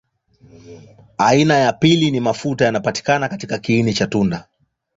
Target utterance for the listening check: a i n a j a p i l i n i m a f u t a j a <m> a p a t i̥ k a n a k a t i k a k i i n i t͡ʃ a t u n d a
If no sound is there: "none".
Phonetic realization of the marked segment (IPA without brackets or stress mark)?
n